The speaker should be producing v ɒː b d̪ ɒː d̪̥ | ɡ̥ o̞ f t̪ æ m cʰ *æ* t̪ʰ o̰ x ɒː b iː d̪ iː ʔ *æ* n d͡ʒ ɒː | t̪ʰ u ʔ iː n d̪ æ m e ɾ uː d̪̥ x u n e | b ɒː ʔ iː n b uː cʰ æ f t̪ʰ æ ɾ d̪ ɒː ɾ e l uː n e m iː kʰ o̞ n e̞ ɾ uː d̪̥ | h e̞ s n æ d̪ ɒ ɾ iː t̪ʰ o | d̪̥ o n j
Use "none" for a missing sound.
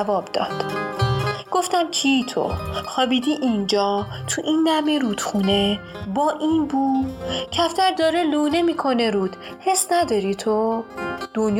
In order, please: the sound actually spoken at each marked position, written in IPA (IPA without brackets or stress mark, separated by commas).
i, i